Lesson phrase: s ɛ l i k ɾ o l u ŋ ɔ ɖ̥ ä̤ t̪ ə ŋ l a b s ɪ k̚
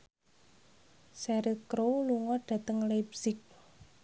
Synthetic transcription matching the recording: s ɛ ɾ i k ɾ o l u ŋ ɔ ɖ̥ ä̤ t̪ ə ŋ l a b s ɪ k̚